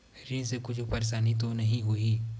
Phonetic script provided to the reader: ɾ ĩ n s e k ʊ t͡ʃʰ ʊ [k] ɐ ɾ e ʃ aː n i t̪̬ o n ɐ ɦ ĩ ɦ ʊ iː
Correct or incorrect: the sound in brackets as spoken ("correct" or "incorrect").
incorrect